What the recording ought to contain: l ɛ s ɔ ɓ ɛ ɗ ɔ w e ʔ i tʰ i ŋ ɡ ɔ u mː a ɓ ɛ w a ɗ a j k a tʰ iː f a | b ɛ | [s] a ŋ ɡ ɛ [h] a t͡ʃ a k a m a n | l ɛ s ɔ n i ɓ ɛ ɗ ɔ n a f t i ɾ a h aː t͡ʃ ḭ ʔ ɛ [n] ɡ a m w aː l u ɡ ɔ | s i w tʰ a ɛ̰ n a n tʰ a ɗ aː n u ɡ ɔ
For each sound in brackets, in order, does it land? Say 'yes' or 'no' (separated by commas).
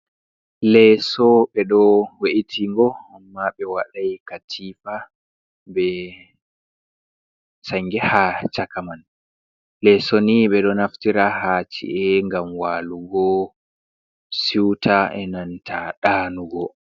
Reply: yes, yes, no